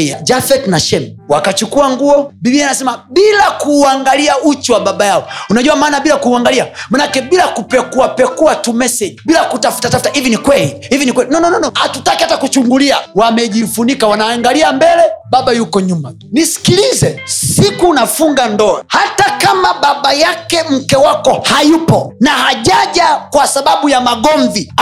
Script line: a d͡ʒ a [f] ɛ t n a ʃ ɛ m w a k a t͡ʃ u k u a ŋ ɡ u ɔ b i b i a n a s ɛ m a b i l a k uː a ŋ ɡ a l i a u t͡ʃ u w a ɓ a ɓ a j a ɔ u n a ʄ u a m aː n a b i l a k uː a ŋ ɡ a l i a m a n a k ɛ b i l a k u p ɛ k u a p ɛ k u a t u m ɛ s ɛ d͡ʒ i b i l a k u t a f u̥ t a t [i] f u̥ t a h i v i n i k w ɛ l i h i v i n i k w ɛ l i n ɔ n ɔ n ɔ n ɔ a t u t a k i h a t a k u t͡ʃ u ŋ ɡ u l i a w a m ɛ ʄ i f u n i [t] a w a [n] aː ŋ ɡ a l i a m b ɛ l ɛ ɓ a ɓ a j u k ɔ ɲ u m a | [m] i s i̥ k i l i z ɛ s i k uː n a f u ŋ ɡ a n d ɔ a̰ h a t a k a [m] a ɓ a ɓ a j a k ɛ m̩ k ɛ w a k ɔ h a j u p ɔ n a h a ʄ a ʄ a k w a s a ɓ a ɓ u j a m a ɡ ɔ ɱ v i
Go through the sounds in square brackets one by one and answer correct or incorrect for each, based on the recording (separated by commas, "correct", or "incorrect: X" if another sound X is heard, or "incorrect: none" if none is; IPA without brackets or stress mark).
correct, incorrect: a, incorrect: k, correct, incorrect: n, correct